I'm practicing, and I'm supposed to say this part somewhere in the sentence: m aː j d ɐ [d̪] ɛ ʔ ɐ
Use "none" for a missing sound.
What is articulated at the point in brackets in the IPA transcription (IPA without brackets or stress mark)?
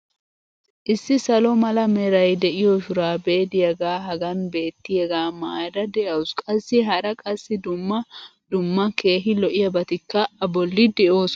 d̪